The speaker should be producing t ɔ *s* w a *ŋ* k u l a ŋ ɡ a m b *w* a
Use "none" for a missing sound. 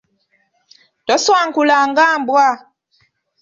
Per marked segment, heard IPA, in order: s, ŋ, w

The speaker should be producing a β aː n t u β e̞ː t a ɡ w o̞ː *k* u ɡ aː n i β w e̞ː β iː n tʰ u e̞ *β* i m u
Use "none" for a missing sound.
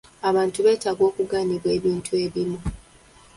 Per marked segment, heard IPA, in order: k, β

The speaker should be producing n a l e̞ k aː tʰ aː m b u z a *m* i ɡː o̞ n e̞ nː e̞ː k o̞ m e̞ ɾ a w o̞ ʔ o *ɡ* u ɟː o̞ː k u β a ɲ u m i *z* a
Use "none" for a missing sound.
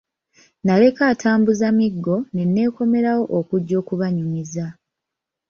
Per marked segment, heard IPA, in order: m, k, z

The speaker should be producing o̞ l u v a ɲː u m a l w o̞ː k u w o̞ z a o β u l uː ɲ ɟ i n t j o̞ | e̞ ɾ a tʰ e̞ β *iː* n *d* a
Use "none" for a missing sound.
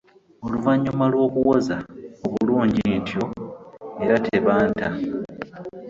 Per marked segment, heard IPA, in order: aː, t

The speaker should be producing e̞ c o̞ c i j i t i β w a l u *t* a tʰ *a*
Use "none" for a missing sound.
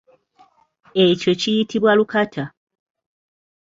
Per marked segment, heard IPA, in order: k, a

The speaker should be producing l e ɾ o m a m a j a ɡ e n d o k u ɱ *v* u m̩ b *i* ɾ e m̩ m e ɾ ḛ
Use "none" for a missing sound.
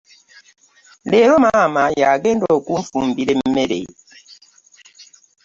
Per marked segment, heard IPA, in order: f, i

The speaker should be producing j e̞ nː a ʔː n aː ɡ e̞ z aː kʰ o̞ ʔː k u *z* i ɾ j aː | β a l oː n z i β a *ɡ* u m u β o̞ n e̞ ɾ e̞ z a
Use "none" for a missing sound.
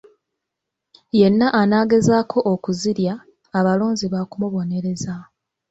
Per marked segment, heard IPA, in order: z, k

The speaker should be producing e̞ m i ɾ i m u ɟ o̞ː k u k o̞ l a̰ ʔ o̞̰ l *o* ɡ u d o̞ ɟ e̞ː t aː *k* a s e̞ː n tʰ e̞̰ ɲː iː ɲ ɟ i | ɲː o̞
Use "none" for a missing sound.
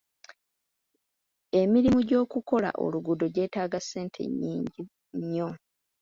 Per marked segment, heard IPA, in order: u, ɡ

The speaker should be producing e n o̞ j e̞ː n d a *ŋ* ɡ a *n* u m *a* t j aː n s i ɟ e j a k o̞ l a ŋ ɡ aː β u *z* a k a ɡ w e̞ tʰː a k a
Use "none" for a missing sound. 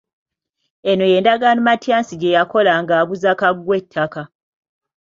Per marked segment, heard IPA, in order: none, n, a, z

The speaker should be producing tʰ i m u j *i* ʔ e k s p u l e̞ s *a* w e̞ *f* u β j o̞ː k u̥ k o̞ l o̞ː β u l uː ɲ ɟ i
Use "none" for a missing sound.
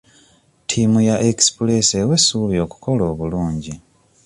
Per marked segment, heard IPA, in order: a, e, s

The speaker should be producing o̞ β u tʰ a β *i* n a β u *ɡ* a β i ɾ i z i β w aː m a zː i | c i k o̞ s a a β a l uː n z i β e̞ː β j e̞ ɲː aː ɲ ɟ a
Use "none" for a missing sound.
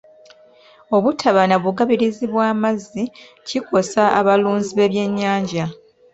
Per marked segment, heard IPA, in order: a, ɡ

